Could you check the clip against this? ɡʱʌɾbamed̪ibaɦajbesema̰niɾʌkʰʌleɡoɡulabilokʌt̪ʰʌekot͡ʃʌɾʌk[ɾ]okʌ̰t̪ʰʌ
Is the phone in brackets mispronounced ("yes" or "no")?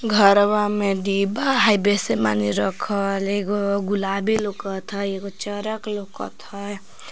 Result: yes